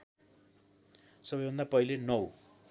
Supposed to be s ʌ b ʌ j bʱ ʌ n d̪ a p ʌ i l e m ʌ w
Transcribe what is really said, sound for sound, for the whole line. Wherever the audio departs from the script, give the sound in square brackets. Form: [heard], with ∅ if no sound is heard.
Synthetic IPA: s ʌ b ʌ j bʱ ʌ n d̪ a p ʌ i l e [n] ʌ w